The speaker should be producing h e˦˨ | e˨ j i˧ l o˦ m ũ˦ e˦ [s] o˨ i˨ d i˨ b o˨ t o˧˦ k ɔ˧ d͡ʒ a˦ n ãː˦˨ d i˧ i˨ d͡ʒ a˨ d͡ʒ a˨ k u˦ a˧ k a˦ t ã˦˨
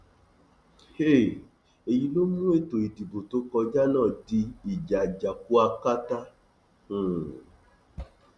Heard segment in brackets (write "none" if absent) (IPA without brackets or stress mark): t